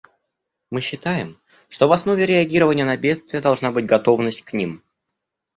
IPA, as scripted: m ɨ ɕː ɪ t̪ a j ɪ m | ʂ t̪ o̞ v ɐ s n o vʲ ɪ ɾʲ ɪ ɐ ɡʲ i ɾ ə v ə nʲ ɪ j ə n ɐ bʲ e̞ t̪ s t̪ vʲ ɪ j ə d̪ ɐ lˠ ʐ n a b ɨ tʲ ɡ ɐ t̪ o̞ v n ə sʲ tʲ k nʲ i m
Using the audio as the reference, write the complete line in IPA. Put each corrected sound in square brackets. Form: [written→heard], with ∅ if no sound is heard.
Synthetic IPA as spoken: m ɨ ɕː ɪ t̪ a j ɪ m | ʂ t̪ o̞ v ɐ s n o vʲ ɪ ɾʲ ɪ ɐ ɡʲ i ɾ ə v ə nʲ ɪ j ə n ɐ bʲ e̞ t̪ s t̪ vʲ ɪ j ə d̪ ɐ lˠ ʐ n a b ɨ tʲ ɡ ɐ t̪ o̞ v n ə sʲ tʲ k nʲ i m